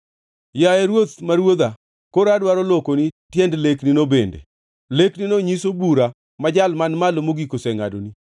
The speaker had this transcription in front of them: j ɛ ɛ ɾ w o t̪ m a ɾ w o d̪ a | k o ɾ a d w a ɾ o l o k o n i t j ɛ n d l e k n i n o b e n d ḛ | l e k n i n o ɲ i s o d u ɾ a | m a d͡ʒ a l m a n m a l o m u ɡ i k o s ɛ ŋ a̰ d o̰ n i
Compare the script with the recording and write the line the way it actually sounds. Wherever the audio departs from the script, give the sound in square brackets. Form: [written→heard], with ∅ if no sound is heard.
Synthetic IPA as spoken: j [ɛ→a] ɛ ɾ w o t̪ m a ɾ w o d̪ a | k o ɾ a d w a ɾ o l o k o n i t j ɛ n d l e k n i n o b e n d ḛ | l e k n i n o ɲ i s o [d→b] u ɾ a | m a d͡ʒ a l m a n m a l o m [u→o] ɡ i k o s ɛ ŋ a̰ d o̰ n i